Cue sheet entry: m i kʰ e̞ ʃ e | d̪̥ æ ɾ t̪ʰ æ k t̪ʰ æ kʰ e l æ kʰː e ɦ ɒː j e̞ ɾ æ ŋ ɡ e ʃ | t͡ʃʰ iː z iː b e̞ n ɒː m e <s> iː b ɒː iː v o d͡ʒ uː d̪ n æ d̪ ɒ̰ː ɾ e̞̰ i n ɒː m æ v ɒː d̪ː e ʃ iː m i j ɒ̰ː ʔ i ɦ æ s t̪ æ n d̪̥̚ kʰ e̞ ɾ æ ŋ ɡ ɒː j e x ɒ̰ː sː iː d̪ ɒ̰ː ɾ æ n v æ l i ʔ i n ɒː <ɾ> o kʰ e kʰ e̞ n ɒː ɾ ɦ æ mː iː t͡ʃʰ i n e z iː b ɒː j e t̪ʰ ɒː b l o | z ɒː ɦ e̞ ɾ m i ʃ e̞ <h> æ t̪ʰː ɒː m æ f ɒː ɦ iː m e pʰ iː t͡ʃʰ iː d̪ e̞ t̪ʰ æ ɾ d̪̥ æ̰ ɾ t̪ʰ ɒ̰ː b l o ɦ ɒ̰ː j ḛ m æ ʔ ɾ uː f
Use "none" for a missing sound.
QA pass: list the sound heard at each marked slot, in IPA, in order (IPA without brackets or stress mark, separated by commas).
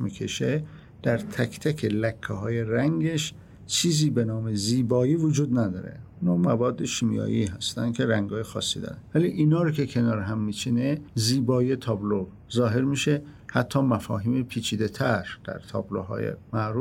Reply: z, ɾ, h